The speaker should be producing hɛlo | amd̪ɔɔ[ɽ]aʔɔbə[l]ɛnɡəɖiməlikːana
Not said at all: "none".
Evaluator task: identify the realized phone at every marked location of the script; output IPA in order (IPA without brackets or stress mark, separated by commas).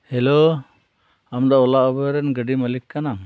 l, ɾ